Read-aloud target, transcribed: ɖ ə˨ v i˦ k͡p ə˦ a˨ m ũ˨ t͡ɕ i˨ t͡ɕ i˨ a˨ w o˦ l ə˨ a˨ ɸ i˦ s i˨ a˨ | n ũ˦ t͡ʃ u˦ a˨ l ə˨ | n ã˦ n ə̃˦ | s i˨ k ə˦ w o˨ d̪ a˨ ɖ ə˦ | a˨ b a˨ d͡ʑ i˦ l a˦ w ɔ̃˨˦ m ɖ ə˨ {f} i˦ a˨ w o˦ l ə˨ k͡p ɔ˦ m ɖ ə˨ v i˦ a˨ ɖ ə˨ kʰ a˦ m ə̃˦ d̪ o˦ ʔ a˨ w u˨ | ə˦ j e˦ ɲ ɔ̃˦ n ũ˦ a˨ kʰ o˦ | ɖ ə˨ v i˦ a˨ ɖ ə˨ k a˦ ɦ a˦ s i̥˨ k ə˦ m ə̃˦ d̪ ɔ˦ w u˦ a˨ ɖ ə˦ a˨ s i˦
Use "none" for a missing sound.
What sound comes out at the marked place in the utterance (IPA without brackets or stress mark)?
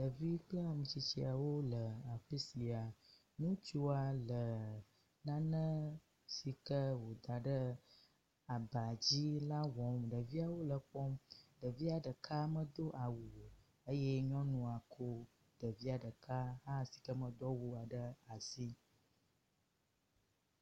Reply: v